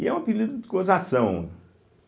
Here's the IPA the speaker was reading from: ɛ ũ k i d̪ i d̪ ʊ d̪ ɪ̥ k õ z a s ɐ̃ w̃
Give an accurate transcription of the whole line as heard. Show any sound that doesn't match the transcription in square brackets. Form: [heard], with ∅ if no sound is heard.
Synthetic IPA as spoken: ɛ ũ [p] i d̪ i d̪ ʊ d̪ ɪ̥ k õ z a s ɐ̃ w̃